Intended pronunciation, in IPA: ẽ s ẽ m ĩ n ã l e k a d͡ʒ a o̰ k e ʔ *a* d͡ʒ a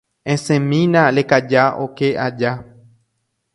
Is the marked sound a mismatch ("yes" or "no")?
no